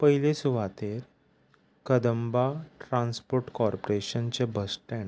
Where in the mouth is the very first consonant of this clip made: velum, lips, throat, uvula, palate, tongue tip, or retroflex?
lips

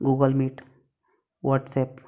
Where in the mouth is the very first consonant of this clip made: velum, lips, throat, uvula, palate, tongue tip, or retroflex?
velum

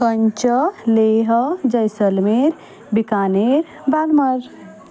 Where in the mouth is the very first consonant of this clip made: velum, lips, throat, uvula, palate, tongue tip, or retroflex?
velum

